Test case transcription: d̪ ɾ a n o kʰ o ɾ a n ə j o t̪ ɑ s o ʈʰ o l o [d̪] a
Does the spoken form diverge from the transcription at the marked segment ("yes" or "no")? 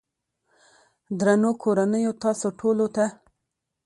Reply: yes